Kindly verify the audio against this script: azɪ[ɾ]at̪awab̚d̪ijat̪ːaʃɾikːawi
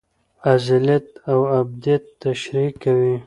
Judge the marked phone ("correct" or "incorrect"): incorrect